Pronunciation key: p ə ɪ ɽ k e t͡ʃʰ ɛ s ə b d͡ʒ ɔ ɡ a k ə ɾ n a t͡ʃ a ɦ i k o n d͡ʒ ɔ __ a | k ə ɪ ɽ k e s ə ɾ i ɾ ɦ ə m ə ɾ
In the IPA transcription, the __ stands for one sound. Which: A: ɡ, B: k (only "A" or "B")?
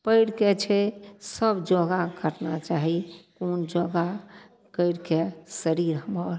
A